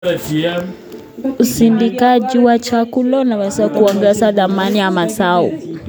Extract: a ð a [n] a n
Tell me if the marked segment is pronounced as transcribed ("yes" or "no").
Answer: no